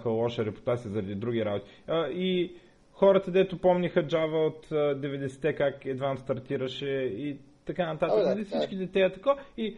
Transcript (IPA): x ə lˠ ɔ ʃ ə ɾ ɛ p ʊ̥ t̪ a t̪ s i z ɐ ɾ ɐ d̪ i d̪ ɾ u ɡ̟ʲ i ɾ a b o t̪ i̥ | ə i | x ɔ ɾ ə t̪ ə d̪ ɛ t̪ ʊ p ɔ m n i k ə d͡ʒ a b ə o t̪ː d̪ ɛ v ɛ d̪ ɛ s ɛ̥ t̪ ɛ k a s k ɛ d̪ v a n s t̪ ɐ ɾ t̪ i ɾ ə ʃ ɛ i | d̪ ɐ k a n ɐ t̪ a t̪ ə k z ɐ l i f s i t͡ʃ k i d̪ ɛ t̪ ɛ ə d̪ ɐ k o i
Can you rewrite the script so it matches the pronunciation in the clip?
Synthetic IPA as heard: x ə lˠ ɔ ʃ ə ɾ ɛ p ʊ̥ t̪ a t̪ s i z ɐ ɾ ɐ d̪ i d̪ ɾ u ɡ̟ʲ i ɾ a b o t̪ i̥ | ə i | x ɔ ɾ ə t̪ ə d̪ ɛ t̪ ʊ p ɔ m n i x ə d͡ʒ a v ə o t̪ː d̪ ɛ v ɛ d̪ ɛ s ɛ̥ t̪ ɛ k a k ɛ d̪ v a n s t̪ ɐ ɾ t̪ i ɾ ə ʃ ɛ i | t̪ ɐ k a n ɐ t̪ a t̪ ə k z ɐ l i f s i t͡ʃ k i d̪ ɛ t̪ ɛ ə t̪ ɐ k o i